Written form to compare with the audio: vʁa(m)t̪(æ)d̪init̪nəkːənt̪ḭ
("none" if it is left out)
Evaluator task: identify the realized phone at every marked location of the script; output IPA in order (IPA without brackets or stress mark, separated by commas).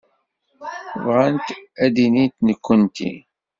n, æ